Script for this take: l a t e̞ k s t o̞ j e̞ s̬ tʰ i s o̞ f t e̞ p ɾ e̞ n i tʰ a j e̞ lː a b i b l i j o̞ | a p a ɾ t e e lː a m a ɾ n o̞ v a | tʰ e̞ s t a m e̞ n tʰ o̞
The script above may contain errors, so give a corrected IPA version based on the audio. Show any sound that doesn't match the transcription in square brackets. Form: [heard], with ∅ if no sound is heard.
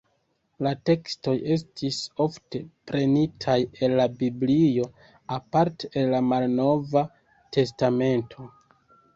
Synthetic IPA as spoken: l a t e̞ k s t o̞ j e̞ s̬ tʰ i s o̞ f t e̞ p ɾ e̞ n i tʰ a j e̞ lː a b i b l i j o̞ | a p a ɾ t e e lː a m a [l] n o̞ v a | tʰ e̞ s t a m e̞ n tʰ o̞